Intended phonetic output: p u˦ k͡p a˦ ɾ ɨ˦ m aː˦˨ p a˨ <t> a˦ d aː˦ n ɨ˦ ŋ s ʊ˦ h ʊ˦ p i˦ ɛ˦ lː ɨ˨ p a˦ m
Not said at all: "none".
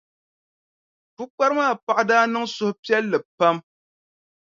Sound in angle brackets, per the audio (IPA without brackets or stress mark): ʔ